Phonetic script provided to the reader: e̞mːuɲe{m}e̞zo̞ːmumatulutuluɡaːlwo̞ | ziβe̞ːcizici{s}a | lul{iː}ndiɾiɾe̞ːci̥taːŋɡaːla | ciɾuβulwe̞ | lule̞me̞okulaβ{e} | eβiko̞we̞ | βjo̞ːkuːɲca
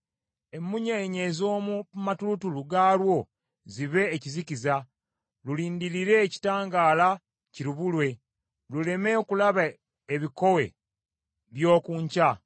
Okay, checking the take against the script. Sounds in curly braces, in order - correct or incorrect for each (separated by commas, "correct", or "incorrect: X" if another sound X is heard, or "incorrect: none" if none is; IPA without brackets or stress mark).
incorrect: ɲ, incorrect: z, correct, incorrect: a